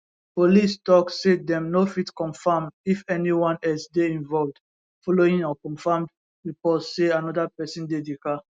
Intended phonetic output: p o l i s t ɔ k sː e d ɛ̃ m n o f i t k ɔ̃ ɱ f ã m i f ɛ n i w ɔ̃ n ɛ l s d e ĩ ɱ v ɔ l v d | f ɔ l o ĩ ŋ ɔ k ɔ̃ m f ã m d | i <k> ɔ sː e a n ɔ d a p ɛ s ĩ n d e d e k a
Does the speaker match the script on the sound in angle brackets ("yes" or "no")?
no